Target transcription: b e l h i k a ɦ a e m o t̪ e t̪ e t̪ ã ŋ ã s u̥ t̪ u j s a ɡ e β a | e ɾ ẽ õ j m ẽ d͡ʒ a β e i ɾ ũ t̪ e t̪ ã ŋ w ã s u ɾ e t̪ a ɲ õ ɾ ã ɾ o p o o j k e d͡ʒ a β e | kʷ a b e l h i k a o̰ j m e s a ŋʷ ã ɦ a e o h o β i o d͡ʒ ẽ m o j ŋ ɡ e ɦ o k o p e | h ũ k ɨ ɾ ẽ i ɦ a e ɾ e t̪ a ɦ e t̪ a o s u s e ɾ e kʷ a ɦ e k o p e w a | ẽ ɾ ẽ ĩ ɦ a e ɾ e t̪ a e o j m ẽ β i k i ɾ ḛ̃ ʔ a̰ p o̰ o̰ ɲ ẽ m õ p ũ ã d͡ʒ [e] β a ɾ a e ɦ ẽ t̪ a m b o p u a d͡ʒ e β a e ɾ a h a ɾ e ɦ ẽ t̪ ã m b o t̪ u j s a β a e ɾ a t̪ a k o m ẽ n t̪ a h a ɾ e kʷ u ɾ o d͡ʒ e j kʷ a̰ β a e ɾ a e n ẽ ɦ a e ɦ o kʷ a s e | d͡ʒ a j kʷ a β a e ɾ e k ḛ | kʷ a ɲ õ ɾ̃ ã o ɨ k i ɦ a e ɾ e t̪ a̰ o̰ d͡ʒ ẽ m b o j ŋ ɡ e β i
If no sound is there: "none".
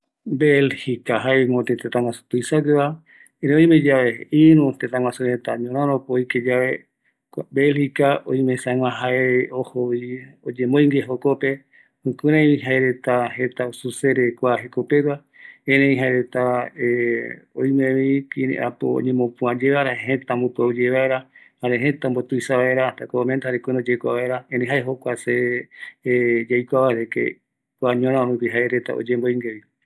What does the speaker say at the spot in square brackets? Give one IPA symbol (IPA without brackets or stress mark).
e